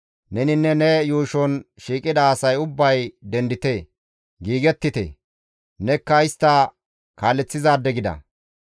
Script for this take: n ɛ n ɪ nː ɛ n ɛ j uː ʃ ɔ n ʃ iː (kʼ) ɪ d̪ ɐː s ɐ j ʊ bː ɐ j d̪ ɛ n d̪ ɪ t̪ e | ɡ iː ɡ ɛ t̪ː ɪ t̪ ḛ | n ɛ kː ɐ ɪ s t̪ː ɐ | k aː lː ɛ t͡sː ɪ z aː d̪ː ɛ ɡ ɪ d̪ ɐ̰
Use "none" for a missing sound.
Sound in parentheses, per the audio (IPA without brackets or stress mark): kʼ